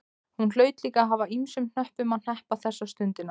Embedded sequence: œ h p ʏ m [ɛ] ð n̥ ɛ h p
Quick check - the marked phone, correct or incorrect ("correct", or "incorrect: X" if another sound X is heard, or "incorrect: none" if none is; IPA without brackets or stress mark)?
incorrect: a